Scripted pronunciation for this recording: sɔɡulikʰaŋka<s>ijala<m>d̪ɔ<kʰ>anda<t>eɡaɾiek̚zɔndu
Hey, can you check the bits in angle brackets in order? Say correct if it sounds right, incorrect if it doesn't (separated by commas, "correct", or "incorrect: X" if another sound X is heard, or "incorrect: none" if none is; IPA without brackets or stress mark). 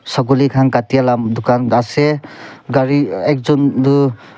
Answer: incorrect: t, correct, incorrect: k, incorrect: s